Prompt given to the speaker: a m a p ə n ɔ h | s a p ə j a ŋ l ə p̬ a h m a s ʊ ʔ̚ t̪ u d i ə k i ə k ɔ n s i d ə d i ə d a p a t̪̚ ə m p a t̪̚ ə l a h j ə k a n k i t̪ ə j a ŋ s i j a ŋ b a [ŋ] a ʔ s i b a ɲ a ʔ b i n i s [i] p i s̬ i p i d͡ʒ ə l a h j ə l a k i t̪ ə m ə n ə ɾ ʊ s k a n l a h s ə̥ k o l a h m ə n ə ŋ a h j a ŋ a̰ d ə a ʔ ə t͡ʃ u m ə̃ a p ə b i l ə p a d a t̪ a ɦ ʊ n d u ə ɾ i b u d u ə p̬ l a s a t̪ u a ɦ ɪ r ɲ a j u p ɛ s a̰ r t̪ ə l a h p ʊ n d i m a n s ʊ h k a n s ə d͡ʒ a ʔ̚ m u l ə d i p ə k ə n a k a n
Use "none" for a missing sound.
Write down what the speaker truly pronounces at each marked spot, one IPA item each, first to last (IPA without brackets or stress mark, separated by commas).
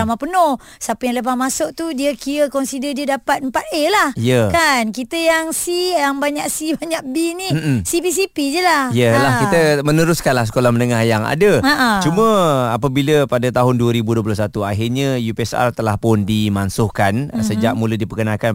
ɲ, i